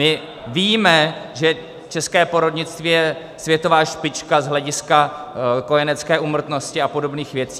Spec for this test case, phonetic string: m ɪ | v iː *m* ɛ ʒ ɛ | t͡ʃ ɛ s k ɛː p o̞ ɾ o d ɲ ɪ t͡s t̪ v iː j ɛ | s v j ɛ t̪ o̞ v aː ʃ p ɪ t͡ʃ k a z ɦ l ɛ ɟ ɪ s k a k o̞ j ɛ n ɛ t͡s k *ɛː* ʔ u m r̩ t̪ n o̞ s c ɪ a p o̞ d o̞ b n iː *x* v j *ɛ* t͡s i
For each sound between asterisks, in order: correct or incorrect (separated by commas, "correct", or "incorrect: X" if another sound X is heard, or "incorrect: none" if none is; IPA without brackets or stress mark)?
correct, correct, correct, correct